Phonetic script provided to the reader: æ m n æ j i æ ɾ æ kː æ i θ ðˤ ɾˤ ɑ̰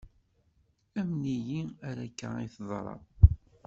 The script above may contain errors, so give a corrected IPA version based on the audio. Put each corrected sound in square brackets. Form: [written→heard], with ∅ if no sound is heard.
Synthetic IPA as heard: æ m n [æ→i] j i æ ɾ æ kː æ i θ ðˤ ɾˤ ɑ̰